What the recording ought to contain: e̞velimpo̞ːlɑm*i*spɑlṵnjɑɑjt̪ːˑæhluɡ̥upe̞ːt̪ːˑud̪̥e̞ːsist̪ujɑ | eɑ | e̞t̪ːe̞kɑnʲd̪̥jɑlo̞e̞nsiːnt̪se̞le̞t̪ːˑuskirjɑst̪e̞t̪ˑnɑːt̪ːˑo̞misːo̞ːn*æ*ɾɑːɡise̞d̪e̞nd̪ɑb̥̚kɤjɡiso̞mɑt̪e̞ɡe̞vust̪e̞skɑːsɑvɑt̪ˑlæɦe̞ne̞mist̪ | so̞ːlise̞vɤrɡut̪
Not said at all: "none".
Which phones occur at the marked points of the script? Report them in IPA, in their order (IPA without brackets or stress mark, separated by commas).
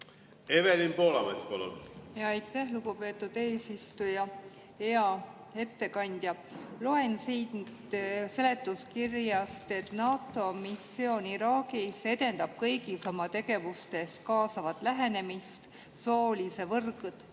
e, i